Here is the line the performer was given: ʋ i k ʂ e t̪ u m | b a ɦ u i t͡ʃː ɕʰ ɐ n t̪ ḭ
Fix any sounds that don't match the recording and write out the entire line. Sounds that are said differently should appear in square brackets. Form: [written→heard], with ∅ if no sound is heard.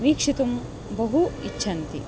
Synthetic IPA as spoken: ʋ [i→iː] k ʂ [e→i] t̪ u m | b [a→ɐ] ɦ u i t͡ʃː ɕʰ ɐ n t̪ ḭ

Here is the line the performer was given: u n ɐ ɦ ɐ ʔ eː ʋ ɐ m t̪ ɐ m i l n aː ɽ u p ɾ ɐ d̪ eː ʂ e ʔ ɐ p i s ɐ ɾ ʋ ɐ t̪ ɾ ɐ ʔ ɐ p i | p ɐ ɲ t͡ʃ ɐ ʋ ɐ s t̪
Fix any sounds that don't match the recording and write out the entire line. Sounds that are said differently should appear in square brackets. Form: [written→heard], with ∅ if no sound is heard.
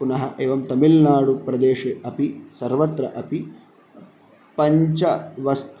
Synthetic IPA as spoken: u n ɐ ɦ ɐ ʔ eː ʋ ɐ m t̪ ɐ m i l n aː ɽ u p ɾ ɐ d̪ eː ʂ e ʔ ɐ p i s ɐ ɾ ʋ ɐ t̪ ɾ ɐ ʔ ɐ p i | p ɐ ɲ t͡ʃ ɐ ʋ ɐ s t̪

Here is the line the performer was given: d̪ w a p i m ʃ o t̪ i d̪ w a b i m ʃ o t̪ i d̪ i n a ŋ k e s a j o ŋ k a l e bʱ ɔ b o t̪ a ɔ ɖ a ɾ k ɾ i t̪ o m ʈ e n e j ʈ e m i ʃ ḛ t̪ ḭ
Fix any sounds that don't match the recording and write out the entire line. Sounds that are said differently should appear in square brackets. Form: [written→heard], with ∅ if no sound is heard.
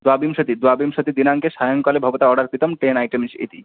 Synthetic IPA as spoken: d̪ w a [p→b] i m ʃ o t̪ i d̪ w a b i m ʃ o t̪ i d̪ i n a ŋ k e [s→ʃ] a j o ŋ k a l e bʱ ɔ b o t̪ a ɔ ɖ a ɾ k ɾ i t̪ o m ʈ e n [e→a] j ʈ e m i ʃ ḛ t̪ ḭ

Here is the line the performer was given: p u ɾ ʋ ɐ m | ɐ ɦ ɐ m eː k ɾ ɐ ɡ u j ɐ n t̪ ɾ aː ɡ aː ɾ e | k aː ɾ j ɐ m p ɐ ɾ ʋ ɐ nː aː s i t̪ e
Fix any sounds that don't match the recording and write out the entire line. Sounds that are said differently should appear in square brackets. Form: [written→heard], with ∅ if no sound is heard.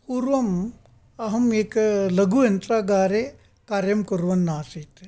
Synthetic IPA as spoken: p u ɾ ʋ ɐ m | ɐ ɦ ɐ m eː k [ɾ→l] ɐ ɡ u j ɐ n t̪ ɾ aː ɡ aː ɾ e | k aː ɾ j ɐ m [p→k] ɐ ɾ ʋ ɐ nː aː s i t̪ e

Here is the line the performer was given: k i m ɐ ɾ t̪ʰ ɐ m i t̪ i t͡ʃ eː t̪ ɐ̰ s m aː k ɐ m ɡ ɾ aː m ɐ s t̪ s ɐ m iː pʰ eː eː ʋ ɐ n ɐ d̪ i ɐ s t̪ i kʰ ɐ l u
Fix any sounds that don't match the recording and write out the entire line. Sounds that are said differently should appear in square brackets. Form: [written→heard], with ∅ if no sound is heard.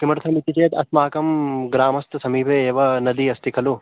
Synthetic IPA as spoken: k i m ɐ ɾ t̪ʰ ɐ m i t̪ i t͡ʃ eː t̪ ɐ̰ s m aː k ɐ m ɡ ɾ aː m ɐ s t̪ s ɐ m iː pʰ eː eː ʋ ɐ n ɐ d̪ i ɐ s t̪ i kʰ ɐ l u

